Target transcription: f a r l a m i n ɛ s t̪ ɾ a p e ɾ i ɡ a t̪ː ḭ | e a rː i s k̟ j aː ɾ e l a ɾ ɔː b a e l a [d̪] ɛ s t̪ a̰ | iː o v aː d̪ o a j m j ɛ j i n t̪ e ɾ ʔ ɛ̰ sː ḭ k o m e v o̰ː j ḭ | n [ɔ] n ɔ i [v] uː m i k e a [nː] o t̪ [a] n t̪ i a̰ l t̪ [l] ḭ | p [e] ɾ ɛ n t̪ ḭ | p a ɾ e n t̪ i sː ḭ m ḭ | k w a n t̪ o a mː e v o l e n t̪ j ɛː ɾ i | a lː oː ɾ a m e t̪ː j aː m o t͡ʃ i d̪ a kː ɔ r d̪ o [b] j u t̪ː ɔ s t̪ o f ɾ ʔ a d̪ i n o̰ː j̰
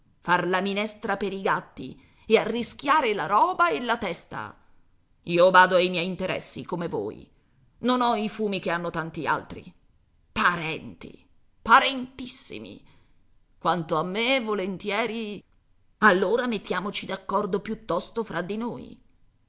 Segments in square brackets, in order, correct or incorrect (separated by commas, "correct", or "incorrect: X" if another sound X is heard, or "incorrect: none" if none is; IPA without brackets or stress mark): incorrect: t̪, incorrect: o, incorrect: f, correct, correct, incorrect: ɾ, incorrect: a, incorrect: p